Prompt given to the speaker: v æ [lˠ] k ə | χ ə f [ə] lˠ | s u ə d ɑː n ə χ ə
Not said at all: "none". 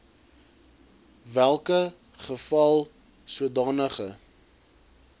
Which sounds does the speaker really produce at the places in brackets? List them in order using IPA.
lˠ, ɐ

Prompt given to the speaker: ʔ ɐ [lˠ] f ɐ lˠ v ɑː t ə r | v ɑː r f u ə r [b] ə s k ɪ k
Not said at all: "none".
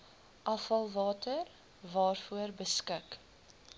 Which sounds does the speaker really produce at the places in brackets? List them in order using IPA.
none, b

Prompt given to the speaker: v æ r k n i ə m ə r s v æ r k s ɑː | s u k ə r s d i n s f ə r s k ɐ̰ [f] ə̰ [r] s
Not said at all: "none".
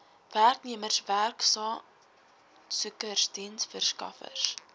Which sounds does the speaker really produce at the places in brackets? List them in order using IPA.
f, r

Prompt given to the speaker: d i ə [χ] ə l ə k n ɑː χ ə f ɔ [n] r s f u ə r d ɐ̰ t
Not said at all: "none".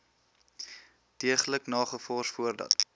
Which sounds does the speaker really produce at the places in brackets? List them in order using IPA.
χ, none

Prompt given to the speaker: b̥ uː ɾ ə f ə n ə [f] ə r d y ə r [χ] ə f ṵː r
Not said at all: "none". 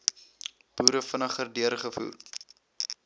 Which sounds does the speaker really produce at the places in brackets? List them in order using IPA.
χ, χ

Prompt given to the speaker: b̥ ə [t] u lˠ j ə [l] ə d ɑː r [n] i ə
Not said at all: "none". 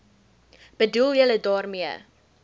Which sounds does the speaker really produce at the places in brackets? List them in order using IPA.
d, l, m

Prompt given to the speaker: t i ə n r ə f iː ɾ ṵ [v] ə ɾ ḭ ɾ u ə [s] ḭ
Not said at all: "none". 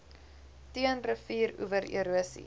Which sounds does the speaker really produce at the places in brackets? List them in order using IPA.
v, s

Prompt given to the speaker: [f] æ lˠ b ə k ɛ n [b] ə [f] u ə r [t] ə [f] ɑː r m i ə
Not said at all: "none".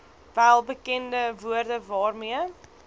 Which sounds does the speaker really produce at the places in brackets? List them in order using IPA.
v, d, v, d, v

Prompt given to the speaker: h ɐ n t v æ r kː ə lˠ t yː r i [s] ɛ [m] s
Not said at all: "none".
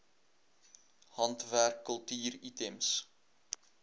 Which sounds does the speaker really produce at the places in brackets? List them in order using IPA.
t, m

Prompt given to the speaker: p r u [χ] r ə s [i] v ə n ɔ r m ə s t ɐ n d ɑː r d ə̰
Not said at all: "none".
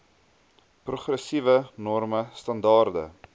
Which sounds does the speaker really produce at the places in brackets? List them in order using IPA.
χ, i

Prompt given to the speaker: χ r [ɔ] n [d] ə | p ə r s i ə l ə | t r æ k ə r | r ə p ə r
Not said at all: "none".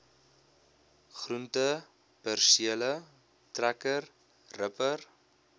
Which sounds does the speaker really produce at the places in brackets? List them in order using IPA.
u, t

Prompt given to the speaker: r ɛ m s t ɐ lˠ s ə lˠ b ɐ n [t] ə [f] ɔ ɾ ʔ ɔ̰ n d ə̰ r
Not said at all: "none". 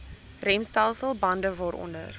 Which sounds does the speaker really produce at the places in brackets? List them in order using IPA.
d, v

